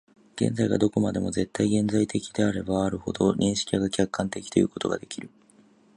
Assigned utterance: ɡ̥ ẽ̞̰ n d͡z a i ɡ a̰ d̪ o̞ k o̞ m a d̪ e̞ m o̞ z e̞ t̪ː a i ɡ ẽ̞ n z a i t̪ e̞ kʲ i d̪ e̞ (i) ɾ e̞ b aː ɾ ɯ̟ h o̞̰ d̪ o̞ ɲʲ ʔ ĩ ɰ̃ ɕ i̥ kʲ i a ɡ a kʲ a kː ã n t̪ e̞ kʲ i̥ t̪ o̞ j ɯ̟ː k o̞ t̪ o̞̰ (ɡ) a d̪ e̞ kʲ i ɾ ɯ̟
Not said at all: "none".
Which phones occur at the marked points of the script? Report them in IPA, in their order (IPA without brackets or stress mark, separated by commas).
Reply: a, ɡ